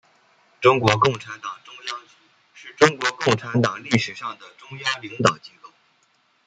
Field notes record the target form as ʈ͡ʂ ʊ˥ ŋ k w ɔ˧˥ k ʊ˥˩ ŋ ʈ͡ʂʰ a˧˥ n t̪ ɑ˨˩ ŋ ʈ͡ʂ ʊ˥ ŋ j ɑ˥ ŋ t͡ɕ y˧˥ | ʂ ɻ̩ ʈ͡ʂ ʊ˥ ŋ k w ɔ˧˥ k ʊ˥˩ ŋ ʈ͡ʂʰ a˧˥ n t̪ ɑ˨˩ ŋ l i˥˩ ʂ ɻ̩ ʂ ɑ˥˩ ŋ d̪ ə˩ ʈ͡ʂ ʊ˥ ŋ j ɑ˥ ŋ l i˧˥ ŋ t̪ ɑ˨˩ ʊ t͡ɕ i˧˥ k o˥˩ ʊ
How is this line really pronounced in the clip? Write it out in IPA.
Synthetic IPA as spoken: ʈ͡ʂ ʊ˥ ŋ k w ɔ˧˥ k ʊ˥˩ ŋ ʈ͡ʂʰ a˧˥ n t̪ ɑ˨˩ ŋ ʈ͡ʂ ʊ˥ ŋ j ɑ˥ ŋ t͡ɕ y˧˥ | ʂ ɻ̩ ʈ͡ʂ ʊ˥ ŋ k w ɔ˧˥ k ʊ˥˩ ŋ ʈ͡ʂʰ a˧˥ n t̪ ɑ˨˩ ŋ l i˥˩ ʂ ɻ̩ ʂ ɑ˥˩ ŋ d̪ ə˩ ʈ͡ʂ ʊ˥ ŋ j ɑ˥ ŋ l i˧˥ ŋ t̪ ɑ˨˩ ʊ t͡ɕ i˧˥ k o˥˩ ʊ

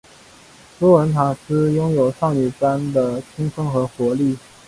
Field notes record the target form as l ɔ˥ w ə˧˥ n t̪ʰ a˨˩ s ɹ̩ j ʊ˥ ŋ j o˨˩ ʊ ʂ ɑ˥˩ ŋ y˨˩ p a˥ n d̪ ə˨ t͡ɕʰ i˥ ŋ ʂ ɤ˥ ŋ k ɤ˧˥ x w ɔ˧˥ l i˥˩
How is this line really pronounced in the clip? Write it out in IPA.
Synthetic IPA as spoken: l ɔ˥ w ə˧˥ n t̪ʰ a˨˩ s ɹ̩ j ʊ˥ ŋ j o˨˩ ʊ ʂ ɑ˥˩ ŋ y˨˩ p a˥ n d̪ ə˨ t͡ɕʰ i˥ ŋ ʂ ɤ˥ ŋ x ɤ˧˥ x w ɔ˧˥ l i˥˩

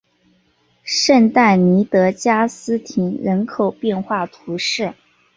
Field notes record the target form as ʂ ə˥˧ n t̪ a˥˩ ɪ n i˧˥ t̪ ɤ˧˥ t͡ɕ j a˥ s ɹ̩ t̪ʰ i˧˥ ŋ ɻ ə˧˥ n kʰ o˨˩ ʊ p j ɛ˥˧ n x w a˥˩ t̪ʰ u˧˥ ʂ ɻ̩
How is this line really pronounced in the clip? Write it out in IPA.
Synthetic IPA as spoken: ʂ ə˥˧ n t̪ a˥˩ ɪ n i˧˥ t̪ ɤ˧˥ t͡ɕ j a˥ s ɹ̩ t̪ʰ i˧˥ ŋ ɻ ə˧˥ n kʰ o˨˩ ʊ p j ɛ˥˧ n x w a˥˩ t̪ʰ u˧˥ ʂ ɻ̩

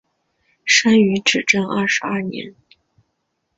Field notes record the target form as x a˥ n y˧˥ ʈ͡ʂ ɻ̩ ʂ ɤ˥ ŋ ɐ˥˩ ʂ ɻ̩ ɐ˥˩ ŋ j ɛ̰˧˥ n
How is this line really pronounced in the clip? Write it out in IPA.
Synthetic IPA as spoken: ʂ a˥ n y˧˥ ʈ͡ʂ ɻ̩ ʈ͡ʂ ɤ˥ ŋ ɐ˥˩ ʂ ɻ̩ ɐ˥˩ n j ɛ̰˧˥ n

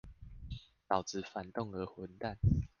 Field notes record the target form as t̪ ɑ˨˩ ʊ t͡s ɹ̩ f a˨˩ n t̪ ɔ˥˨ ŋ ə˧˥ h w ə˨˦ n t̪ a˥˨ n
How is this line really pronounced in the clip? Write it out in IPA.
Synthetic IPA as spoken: t̪ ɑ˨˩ ʊ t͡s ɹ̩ f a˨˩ n t̪ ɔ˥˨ ŋ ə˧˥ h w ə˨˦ n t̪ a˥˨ n

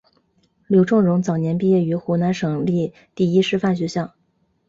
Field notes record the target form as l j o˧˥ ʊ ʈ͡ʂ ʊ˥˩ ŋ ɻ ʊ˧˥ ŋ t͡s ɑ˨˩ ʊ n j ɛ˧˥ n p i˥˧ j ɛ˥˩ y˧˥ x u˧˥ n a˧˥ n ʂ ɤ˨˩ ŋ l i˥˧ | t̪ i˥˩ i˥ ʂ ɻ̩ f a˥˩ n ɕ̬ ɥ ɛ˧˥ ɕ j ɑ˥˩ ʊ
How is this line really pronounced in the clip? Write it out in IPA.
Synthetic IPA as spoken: l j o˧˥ ʊ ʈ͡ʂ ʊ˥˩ ŋ ɻ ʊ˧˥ ŋ t͡s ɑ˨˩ ʊ n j ɛ˧˥ n p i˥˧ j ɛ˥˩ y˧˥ x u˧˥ n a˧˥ n ʂ ɤ˨˩ ŋ l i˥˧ | t̪ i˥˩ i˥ ʂ ɻ̩ f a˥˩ n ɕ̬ ɥ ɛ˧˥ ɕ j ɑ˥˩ ʊ

